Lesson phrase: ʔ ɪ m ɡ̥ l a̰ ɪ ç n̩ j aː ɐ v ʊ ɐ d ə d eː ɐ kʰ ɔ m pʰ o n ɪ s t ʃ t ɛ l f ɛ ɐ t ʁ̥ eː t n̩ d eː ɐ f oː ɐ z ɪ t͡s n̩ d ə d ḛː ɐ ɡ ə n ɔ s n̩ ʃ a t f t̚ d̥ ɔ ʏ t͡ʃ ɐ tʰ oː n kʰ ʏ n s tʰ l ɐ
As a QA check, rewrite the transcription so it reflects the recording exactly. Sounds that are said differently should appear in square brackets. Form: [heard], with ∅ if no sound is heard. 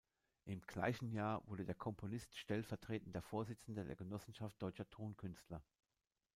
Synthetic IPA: ʔ ɪ m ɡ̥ l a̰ ɪ ç n̩ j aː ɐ v ʊ ɐ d ə d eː ɐ kʰ ɔ m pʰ o n ɪ s t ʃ t ɛ l f ɛ ɐ t ʁ̥ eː t n̩ d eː ɐ f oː ɐ z ɪ t͡s n̩ d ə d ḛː ɐ ɡ ə n ɔ s n̩ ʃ a [∅] f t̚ d̥ ɔ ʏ t͡ʃ ɐ tʰ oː n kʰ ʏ n s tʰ l ɐ